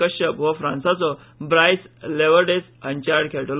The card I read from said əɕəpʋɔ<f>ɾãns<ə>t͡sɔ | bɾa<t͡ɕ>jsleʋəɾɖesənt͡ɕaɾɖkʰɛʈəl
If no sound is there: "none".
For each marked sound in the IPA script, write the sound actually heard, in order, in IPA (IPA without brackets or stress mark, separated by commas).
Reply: f, a, none